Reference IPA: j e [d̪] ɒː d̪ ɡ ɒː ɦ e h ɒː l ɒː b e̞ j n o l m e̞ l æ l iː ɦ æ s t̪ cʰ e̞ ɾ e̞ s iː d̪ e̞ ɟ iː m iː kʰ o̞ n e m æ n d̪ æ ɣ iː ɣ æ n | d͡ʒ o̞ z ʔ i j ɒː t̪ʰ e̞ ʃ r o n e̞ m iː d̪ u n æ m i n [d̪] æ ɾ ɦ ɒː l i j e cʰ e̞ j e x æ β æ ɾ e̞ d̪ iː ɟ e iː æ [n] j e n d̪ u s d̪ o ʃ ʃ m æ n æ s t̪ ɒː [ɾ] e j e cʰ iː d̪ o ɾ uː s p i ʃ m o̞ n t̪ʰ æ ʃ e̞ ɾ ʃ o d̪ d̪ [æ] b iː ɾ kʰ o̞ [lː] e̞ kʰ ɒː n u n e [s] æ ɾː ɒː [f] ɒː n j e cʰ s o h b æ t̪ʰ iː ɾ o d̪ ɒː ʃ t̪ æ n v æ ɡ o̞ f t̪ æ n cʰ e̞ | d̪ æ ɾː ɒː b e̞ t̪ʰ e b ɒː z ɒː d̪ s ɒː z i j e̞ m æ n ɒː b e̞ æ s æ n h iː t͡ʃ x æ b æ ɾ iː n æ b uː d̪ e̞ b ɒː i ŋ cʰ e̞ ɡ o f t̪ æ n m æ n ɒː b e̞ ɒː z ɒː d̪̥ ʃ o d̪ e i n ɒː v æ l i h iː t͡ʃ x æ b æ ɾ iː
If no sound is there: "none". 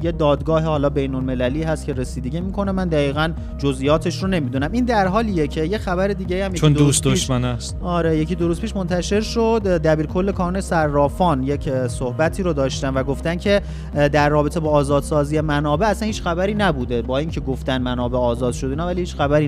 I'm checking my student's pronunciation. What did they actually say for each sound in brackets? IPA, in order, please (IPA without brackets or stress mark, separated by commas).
d̪, d̪, m, ɾ, æ, lː, s, f